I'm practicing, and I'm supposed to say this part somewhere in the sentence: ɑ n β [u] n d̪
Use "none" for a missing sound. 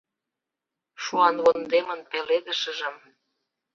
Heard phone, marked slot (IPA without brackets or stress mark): o